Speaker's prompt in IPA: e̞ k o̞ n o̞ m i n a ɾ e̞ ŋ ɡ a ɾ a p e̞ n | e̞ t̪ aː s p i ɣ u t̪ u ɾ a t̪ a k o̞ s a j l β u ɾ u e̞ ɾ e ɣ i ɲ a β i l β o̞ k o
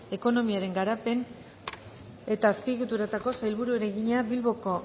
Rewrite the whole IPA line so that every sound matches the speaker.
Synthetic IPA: e̞ k o̞ n o̞ m i a ɾ e̞ ŋ ɡ a ɾ a p e̞ n | e̞ t̪ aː s p i ɣ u t̪ u ɾ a t̪ a k o̞ s a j l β u ɾ u e̞ ɾ e ɣ i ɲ a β i l β o̞ k o